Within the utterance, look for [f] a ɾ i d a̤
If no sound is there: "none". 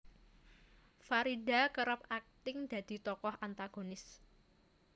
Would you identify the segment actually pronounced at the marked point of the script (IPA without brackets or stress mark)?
f